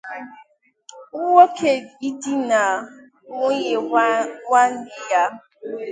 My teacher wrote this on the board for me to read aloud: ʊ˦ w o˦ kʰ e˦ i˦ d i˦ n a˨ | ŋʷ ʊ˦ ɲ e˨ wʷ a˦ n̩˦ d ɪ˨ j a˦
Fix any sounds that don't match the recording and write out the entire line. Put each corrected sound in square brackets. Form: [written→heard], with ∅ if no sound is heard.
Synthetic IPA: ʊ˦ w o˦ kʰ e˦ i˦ d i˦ n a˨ | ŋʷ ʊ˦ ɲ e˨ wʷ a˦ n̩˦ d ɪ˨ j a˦